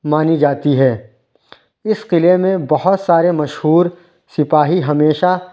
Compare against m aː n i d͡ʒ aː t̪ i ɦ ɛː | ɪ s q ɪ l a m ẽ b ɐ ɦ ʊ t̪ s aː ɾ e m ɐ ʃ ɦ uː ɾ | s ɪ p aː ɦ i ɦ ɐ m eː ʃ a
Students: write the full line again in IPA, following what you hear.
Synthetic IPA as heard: m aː n i d͡ʒ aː t̪ i ɦ ɛː | ɪ s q ɪ l e m ẽ b ɐ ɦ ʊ t̪ s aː ɾ e m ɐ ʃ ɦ uː ɾ | s ɪ p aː ɦ i ɦ ɐ m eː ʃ a